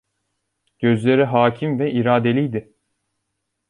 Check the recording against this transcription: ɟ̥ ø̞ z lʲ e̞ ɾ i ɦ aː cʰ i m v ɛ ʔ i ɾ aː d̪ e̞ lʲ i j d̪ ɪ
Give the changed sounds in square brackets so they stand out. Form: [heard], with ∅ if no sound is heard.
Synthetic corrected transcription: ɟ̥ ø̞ z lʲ e̞ ɾ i ɦ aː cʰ i m v ɛ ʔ i ɾ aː d̪ e̞ lʲ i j d̪ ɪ